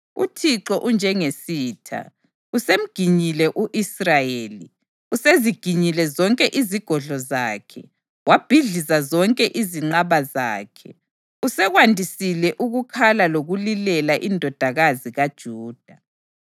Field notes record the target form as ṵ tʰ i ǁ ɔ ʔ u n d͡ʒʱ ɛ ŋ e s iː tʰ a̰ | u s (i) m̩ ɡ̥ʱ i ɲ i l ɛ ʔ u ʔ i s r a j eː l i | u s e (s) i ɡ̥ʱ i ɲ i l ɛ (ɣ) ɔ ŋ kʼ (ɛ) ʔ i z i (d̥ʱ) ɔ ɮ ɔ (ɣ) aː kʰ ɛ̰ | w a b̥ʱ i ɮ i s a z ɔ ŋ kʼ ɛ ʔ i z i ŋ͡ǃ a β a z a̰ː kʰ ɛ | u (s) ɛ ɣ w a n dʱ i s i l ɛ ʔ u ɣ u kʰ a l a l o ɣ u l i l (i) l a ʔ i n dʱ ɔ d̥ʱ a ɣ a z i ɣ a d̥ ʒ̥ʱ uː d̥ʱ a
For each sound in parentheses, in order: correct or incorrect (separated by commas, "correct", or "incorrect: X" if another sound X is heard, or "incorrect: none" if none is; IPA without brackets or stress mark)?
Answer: incorrect: e, incorrect: z, incorrect: z, correct, incorrect: ɡ̥ʱ, incorrect: z, correct, incorrect: ɛ